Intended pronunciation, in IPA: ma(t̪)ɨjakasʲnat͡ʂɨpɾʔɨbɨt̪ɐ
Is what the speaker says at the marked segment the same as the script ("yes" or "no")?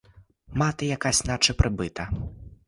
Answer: yes